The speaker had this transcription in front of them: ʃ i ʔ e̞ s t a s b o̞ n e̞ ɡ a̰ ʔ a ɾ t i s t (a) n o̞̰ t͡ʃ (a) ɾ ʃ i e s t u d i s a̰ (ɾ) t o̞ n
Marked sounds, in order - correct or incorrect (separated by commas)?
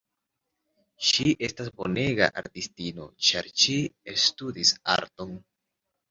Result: incorrect, correct, correct